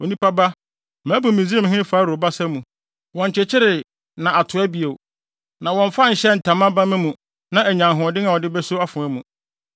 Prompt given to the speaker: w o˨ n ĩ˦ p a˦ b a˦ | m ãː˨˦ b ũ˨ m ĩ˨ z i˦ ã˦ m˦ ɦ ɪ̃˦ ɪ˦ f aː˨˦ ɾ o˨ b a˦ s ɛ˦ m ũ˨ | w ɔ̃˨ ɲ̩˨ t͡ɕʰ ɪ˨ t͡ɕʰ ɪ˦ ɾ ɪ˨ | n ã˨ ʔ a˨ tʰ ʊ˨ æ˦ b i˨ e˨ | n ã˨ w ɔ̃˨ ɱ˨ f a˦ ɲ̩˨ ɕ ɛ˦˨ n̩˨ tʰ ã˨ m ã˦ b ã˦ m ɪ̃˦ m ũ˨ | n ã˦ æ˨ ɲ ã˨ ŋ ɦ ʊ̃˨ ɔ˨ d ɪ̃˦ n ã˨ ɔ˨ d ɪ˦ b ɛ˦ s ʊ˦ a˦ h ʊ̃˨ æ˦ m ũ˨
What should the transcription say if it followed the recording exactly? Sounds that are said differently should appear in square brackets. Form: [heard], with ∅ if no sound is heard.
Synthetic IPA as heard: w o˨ n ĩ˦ p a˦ b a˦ | m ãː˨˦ b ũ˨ m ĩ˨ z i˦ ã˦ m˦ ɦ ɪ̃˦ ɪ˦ f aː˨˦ ɾ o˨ b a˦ s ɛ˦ m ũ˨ | w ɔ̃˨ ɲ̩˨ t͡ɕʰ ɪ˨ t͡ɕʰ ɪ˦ ɾ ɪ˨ | n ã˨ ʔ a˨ tʰ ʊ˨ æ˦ b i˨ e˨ | n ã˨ w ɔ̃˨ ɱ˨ f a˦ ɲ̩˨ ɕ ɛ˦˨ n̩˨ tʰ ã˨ m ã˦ b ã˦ m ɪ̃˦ m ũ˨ | n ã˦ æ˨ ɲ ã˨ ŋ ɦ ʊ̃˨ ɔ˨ d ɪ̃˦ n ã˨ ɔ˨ d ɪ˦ b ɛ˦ s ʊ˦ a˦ [f] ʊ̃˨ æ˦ m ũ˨